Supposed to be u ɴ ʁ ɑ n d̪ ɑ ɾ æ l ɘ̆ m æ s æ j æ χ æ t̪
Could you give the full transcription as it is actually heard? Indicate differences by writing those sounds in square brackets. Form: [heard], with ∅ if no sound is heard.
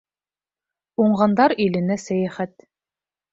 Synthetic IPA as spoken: u ɴ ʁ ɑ n d̪ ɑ ɾ [i] l ɘ̆ [n] æ s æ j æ χ æ t̪